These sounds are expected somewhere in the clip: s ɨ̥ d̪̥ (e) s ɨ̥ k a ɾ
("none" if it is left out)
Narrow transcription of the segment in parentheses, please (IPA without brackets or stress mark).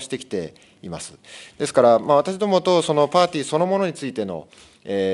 e